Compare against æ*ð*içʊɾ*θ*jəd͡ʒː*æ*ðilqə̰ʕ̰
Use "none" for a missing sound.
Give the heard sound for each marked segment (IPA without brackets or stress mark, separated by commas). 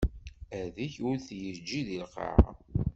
ð, θ, i